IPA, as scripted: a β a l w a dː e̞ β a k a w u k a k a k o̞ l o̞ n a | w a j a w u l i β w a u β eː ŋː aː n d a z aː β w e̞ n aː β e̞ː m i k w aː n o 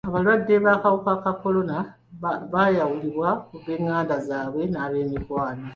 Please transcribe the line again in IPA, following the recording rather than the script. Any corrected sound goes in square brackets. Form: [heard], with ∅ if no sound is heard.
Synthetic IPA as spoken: a β a l w a dː e̞ β a k a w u k a k a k o̞ l o̞ n a | [β] a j a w u l i β w a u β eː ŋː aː n d a z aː β w e̞ n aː β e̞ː m i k w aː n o